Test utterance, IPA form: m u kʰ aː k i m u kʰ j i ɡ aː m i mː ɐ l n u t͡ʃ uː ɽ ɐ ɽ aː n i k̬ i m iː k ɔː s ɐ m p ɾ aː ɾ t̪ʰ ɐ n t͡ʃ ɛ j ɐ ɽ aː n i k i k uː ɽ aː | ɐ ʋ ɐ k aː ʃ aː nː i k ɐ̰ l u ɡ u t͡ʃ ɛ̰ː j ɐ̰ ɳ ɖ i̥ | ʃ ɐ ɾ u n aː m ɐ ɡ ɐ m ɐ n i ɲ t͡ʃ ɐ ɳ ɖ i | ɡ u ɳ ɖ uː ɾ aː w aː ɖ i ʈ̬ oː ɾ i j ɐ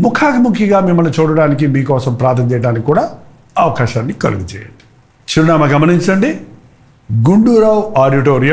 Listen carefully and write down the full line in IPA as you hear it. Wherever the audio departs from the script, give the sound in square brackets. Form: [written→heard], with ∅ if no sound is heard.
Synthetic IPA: m u kʰ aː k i m u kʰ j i ɡ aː m i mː ɐ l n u t͡ʃ uː ɽ ɐ ɽ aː n i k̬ i m iː k ɔː s ɐ m p ɾ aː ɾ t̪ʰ ɐ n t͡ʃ ɛ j ɐ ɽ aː n i k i k uː ɽ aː | ɐ ʋ ɐ k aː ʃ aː nː i k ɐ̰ l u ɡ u t͡ʃ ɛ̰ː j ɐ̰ ɳ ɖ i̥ | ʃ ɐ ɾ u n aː m ɐ ɡ ɐ m ɐ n i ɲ t͡ʃ ɐ ɳ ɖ i | ɡ u ɳ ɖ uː ɾ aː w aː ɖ i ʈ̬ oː ɾ i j ɐ